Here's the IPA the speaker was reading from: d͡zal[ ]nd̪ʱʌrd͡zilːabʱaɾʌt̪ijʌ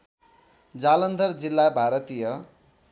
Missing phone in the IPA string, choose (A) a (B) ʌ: B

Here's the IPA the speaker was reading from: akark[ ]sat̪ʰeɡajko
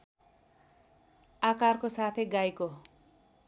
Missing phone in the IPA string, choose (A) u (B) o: B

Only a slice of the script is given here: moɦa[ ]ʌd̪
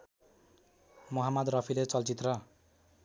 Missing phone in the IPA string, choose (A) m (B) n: A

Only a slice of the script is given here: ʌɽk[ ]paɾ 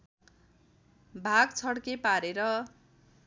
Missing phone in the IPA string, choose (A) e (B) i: A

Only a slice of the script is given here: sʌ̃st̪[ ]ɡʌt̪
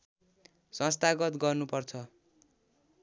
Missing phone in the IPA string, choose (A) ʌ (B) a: B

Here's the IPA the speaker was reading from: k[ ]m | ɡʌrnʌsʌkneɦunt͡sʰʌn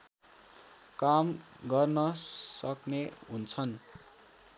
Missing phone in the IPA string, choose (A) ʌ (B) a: B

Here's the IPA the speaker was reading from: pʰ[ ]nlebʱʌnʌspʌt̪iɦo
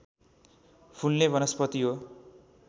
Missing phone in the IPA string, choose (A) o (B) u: B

